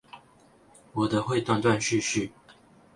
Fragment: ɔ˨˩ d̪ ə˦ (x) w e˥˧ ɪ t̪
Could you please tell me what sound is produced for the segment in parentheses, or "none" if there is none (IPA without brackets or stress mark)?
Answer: x